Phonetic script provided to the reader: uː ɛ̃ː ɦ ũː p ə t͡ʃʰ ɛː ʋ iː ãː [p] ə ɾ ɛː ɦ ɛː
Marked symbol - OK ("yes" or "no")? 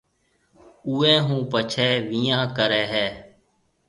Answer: no